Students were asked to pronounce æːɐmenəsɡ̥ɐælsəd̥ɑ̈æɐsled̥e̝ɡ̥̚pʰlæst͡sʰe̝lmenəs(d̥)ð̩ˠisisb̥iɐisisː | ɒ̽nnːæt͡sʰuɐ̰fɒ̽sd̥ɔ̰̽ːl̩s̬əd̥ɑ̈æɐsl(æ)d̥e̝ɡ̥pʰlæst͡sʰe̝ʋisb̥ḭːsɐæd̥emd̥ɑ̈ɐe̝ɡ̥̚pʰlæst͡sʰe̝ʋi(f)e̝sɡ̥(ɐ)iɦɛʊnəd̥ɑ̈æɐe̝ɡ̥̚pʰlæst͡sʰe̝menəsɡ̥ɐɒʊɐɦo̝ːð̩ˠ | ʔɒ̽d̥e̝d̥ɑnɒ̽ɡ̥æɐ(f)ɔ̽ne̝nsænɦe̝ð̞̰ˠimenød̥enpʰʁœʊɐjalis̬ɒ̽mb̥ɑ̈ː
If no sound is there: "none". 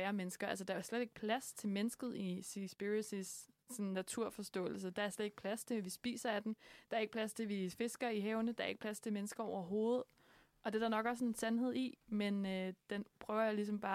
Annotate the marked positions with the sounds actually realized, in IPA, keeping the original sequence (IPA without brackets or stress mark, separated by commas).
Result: ɡ̥, e, f, ɐ, s